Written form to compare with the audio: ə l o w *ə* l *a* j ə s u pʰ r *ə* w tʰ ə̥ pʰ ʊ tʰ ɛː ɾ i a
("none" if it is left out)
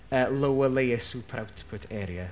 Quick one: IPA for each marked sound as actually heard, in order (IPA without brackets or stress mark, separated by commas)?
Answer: ə, e, a